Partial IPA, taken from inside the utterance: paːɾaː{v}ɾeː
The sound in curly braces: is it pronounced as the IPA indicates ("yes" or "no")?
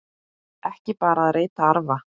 no